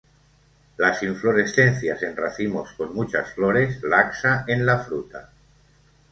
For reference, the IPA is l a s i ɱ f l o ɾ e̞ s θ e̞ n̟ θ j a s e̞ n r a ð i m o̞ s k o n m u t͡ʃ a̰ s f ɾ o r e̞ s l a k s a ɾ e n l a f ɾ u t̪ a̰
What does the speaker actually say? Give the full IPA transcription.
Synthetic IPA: l a s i ɱ f l o ɾ e̞ s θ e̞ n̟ θ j a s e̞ n r a θ i m o̞ s k o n m u t͡ʃ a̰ s f l o ɾ e̞ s l a k s a e n l a f ɾ u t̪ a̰